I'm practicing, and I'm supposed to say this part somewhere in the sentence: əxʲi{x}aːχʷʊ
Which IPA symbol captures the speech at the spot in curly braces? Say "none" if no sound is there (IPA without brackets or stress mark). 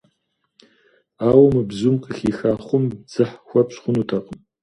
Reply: x